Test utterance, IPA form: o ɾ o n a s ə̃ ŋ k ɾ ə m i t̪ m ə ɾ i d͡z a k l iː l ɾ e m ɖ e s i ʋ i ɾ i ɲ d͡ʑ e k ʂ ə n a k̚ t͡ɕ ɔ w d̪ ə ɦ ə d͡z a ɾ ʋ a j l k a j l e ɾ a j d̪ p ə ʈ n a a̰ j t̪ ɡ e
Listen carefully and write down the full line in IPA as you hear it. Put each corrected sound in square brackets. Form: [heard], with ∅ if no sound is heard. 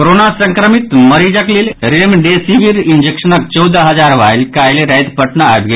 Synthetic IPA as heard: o ɾ o n a s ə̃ ŋ k ɾ ə m i t̪ m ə ɾ i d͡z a k l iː l ɾ e m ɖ e s i ʋ i ɾ i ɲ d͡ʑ e k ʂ ə n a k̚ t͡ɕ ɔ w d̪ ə ɦ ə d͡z a ɾ ʋ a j l k a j l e ɾ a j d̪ p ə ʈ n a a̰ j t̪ ɡ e